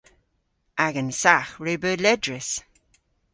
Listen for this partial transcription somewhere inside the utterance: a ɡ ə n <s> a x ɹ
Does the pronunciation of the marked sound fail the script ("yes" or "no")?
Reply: no